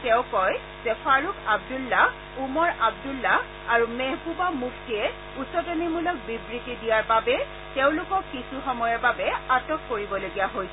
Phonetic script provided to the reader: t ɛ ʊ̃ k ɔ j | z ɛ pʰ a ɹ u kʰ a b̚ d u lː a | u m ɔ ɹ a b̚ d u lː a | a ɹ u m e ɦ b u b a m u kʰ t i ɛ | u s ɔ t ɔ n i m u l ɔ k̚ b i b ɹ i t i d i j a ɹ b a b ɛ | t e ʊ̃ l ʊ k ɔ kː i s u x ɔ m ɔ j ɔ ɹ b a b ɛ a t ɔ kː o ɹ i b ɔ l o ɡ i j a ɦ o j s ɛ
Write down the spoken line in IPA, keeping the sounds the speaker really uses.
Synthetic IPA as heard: t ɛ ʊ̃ k ɔ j | z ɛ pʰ a ɹ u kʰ a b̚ d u lː a | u m ɔ ɹ a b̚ d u lː a | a ɹ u m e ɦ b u b a m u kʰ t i ɛ | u s ɔ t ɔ n i m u l ɔ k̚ b i b ɹ i t i d i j a ɹ b a b ɛ | t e ʊ̃ l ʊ k ɔ kː i s u x ɔ m ɔ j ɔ ɹ b a b ɛ a t ɔ kː o ɹ i b ɔ l o ɡ i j a ɦ o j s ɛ